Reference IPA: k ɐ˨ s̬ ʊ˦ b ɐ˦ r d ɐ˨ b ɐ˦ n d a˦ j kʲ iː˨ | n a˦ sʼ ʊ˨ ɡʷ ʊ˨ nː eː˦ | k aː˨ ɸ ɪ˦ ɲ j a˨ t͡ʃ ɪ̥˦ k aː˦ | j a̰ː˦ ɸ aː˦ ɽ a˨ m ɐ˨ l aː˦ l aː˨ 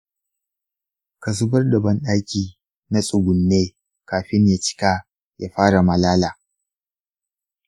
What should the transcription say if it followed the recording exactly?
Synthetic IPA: k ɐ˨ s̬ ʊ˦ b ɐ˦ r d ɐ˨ b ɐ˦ n ɗ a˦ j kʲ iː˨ | n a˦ sʼ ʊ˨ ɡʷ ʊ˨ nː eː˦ | k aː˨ ɸ ɪ˦ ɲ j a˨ t͡ʃ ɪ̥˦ k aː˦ | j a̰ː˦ ɸ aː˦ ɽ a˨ m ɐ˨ l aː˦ l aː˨